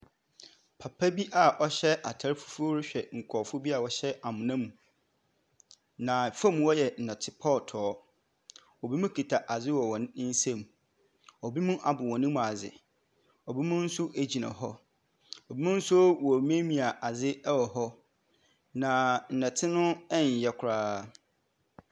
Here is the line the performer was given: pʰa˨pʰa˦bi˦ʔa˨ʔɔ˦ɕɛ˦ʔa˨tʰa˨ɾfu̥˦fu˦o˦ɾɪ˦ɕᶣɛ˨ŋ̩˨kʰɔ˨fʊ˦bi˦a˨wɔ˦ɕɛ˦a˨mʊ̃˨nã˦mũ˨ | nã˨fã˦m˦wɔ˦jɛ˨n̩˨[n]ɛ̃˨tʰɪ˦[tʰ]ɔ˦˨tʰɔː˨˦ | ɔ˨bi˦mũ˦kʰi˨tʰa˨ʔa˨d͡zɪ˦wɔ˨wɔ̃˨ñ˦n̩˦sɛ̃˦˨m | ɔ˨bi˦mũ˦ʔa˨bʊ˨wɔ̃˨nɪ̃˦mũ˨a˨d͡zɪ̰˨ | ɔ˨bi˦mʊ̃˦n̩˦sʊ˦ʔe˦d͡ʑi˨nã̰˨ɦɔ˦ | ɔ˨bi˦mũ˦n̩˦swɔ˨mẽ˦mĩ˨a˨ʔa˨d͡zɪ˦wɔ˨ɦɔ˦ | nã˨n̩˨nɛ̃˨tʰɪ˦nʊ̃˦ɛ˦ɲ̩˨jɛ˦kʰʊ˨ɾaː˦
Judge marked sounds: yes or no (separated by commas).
yes, no